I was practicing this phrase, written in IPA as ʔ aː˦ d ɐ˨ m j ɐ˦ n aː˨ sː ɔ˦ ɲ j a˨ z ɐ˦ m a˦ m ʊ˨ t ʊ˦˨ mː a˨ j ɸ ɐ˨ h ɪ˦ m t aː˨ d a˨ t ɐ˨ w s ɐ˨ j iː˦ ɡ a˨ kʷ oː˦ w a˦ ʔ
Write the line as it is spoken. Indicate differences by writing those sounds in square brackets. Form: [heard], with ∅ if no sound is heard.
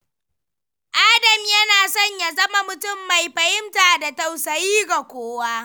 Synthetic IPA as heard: ʔ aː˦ d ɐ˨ m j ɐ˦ n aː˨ [s] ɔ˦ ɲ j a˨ z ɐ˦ m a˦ m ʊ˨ t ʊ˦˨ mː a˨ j ɸ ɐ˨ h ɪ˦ m t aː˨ d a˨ t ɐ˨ w s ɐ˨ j iː˦ ɡ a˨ kʷ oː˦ w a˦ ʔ